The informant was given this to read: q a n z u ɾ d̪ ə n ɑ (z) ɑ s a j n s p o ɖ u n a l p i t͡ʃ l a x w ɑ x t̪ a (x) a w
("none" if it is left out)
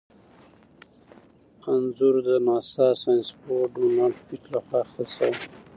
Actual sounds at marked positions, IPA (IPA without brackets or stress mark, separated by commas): s, s